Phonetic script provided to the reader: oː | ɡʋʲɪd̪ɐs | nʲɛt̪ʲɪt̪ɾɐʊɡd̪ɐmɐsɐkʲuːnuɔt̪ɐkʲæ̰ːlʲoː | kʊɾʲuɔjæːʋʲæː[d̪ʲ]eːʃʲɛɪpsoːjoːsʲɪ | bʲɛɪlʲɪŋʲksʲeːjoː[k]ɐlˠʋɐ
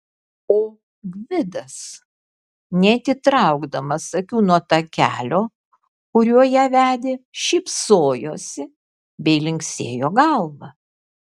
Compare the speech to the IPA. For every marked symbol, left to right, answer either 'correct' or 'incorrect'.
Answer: correct, incorrect

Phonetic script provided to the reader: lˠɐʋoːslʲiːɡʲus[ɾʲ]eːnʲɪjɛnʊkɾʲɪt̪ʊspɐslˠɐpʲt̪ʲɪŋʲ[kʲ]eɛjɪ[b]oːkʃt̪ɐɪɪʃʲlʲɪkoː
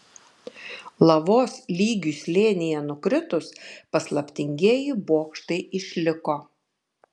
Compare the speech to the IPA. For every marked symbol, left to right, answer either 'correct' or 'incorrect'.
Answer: incorrect, incorrect, correct

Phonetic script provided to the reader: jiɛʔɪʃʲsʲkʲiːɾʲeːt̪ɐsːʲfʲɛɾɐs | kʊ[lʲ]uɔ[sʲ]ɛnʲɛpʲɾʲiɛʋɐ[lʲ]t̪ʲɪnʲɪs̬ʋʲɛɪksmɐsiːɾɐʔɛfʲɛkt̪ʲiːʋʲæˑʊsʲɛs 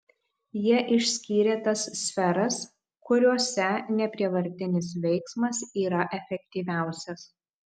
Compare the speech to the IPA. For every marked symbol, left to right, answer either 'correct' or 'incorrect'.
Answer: incorrect, correct, incorrect

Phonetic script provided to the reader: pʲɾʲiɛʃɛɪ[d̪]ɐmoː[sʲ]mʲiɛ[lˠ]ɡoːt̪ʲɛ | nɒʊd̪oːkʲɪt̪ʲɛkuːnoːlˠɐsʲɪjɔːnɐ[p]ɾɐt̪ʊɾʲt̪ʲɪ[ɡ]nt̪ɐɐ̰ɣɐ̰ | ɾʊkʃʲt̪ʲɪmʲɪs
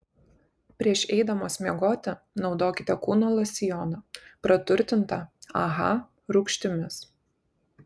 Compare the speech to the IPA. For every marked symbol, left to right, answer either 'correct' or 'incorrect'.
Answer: correct, correct, incorrect, correct, incorrect

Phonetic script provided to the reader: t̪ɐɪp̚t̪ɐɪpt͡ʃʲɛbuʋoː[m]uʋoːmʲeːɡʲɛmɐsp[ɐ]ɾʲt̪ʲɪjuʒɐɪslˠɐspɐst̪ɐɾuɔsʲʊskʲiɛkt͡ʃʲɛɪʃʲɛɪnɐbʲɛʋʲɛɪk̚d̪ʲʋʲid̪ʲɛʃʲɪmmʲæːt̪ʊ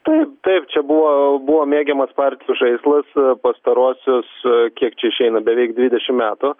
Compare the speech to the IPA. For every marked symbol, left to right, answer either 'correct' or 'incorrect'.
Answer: incorrect, incorrect

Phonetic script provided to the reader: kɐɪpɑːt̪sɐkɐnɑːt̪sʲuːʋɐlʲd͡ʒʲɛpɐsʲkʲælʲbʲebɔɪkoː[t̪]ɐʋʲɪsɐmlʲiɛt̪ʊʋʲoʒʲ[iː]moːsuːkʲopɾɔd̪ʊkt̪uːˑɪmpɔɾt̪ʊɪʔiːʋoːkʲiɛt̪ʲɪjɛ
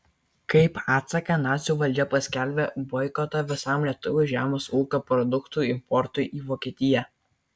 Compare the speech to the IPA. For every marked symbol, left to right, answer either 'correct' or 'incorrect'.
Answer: correct, incorrect

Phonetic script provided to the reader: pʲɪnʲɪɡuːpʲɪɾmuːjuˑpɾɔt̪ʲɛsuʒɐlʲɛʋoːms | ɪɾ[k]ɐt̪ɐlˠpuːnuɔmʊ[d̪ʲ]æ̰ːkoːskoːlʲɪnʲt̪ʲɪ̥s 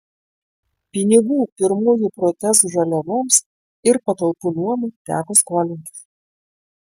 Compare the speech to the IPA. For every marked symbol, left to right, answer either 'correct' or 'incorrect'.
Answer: incorrect, incorrect

